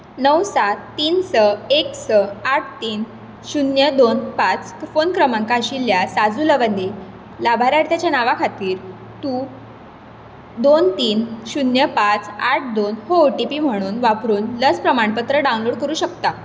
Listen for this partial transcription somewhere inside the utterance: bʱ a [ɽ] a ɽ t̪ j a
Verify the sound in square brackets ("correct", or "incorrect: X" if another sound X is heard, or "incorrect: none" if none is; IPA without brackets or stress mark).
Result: incorrect: ɾ